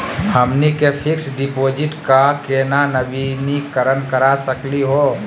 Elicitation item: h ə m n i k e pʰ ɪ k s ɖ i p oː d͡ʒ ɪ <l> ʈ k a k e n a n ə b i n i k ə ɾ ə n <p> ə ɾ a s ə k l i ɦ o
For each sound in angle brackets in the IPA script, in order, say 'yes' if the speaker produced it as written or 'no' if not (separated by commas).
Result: no, no